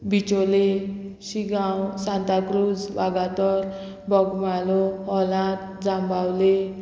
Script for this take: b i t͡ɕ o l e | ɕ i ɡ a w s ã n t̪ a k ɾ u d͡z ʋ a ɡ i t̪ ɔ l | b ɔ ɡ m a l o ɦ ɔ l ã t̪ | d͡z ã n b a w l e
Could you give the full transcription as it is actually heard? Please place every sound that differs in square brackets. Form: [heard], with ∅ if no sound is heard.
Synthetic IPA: b i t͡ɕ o l e | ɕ i ɡ a w s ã n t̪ a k ɾ u d͡z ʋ a ɡ [a] t̪ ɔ [ɾ] | b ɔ ɡ m a l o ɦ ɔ l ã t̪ | d͡z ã [m] b a w l e

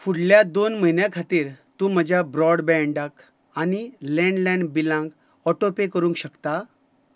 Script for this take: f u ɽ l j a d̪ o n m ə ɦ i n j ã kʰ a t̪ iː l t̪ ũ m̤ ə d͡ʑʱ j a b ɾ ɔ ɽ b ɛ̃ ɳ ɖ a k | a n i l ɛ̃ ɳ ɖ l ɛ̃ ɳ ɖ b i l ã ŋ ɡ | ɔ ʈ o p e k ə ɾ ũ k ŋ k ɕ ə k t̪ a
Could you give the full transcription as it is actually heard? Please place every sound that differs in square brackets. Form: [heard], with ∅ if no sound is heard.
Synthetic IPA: f u ɽ l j a d̪ o n m ə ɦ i n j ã kʰ a t̪ iː [ɾ] t̪ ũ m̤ ə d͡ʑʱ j a b ɾ ɔ ɽ b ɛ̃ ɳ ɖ a k | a n i l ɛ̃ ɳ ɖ l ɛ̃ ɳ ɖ b i l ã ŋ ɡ | ɔ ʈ o p e k ə ɾ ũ [∅] ŋ k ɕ ə k t̪ a

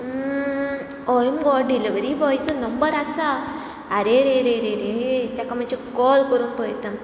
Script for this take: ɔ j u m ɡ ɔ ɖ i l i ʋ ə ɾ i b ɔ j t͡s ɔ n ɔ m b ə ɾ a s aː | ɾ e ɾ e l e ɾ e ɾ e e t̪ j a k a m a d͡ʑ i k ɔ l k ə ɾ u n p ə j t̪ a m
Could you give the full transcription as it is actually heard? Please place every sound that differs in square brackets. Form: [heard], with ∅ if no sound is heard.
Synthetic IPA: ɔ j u m ɡ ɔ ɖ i l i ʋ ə ɾ i b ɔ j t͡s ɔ n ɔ m b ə ɾ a s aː | ɾ e ɾ e [ɾ] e ɾ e ɾ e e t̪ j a k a m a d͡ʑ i k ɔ l k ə ɾ u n p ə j t̪ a m

